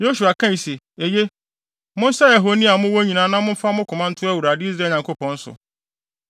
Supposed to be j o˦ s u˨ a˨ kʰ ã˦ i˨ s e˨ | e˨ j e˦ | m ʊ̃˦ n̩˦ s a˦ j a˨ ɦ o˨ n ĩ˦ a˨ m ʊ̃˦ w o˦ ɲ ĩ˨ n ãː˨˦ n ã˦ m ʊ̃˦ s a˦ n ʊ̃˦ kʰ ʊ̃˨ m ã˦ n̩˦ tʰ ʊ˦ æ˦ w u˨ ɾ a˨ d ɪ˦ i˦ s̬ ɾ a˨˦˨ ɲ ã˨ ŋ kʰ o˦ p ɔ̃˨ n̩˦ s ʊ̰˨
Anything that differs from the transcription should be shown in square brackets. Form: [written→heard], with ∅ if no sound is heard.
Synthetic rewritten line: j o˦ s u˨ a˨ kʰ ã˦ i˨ s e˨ | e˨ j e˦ | m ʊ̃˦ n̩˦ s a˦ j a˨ ɦ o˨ n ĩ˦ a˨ m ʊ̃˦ w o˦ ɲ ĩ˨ n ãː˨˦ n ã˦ m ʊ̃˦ [s→f] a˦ [n→m] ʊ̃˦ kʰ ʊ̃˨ m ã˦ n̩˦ tʰ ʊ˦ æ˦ w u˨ ɾ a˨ d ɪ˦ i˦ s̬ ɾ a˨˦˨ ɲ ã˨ ŋ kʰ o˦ p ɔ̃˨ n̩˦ s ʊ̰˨